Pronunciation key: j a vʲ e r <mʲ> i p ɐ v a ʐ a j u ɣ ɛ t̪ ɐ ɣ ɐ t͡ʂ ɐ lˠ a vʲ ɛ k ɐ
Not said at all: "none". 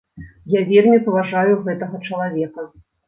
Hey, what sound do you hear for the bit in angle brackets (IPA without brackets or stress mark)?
mʲ